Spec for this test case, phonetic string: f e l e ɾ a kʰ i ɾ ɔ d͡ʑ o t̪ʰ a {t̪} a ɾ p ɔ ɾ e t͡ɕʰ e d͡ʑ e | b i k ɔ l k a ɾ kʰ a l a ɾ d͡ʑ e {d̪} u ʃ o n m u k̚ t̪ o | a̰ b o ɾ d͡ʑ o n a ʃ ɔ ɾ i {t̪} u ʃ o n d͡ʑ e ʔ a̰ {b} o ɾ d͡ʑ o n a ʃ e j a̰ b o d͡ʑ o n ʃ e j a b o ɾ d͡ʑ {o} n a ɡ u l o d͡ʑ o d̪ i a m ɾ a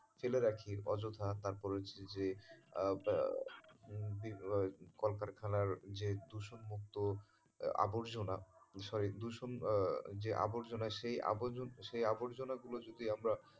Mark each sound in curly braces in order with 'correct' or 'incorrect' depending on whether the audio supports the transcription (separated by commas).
correct, correct, incorrect, correct, correct